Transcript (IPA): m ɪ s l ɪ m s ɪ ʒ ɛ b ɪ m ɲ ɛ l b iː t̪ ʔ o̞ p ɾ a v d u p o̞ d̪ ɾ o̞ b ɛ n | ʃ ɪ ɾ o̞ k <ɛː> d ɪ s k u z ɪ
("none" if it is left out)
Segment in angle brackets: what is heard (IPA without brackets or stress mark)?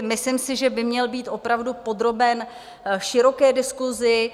ɛː